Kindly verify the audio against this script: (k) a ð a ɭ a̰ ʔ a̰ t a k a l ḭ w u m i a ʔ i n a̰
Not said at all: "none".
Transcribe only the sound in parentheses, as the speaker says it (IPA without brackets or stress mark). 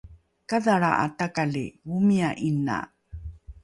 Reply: k